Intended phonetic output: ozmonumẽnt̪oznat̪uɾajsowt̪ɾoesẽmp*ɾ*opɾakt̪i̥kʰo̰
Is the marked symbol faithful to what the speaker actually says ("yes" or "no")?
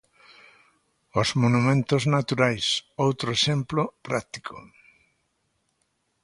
no